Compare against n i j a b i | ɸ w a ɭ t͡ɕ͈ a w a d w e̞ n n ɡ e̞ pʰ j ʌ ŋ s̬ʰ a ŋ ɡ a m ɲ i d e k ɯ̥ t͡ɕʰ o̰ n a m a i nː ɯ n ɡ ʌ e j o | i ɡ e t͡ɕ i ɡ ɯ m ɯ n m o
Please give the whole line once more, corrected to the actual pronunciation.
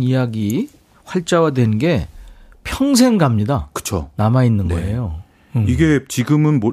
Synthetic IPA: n i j a ɡ i | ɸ w a ɭ t͡ɕ͈ a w a d w e̞ n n ɡ e̞ pʰ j ʌ ŋ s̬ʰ e ŋ ɡ a m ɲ i d a k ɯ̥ t͡ɕʰ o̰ n a m a i nː ɯ n ɡ ʌ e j o | i ɡ e t͡ɕ i ɡ ɯ m ɯ n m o